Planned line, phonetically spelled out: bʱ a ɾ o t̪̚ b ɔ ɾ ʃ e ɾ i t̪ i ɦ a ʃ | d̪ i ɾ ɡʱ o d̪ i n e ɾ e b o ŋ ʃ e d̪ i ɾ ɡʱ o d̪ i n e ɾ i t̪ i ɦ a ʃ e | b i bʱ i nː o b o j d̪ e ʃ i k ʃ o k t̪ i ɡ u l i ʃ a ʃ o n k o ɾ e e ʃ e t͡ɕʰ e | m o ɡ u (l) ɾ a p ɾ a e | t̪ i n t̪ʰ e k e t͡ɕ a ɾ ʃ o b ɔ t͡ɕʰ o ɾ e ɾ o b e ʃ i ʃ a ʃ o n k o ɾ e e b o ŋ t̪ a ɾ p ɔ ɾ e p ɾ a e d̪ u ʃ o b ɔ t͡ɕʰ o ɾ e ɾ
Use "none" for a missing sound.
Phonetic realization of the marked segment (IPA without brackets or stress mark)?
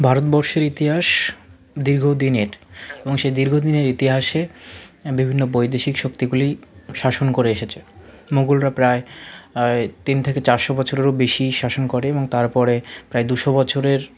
l